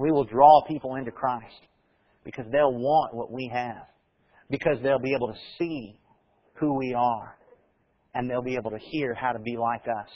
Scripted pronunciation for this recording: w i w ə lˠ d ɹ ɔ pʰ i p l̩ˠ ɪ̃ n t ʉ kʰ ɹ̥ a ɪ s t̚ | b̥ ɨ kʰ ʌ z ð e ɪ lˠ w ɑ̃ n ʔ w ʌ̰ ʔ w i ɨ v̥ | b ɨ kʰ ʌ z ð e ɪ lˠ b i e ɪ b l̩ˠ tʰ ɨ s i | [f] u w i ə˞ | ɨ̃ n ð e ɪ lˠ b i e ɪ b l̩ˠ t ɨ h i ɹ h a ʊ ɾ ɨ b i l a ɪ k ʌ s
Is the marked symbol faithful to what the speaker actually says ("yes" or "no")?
no